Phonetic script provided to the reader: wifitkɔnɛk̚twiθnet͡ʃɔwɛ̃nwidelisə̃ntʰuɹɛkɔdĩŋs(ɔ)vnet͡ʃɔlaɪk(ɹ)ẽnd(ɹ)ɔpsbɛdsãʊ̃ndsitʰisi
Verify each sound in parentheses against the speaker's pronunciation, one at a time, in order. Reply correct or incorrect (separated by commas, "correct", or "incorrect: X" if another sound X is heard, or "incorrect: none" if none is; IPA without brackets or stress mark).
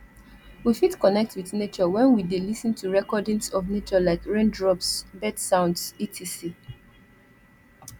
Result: correct, correct, correct